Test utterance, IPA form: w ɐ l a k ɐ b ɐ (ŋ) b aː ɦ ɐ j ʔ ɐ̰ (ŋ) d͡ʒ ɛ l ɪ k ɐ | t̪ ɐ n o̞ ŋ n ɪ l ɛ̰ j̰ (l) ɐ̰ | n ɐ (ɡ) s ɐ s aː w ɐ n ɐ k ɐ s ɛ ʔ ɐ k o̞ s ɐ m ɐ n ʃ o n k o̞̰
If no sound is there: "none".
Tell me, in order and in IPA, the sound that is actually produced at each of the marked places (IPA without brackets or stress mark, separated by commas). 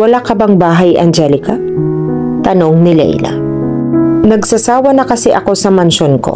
ŋ, n, l, ɡ